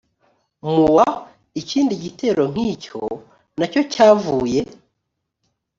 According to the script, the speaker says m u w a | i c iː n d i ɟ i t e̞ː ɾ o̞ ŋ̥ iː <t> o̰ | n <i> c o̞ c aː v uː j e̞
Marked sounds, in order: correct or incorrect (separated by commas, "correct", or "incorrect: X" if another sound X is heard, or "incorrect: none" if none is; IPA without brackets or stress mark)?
incorrect: c, incorrect: a